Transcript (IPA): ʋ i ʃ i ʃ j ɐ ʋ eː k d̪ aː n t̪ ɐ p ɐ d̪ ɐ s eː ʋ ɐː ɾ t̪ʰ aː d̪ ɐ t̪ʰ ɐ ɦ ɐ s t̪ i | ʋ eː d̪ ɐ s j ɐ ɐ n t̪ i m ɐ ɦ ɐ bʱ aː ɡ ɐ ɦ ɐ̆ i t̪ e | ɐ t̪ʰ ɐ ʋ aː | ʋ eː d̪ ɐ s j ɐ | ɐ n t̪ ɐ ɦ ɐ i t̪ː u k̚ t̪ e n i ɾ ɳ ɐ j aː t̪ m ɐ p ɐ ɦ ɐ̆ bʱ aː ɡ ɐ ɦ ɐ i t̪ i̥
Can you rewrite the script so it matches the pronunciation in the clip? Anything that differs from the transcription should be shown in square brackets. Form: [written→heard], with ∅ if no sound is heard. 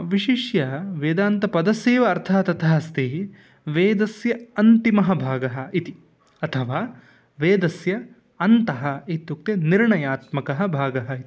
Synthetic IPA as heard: ʋ i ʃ i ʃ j ɐ ʋ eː [k→∅] d̪ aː n t̪ ɐ p ɐ d̪ ɐ s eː ʋ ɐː ɾ t̪ʰ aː [d̪→t̪] ɐ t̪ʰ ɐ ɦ ɐ s t̪ i | ʋ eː d̪ ɐ s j ɐ ɐ n t̪ i m ɐ ɦ ɐ bʱ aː ɡ ɐ ɦ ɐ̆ i t̪ [e→i] | ɐ t̪ʰ ɐ ʋ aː | ʋ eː d̪ ɐ s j ɐ | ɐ n t̪ ɐ ɦ ɐ i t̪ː u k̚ t̪ e n i ɾ ɳ ɐ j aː t̪ m ɐ [p→k] ɐ ɦ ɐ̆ bʱ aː ɡ ɐ ɦ ɐ i t̪ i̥